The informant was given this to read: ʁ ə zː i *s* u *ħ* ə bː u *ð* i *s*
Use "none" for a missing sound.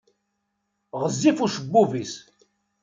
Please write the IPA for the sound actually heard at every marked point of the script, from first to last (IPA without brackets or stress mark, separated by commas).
f, ʃ, v, s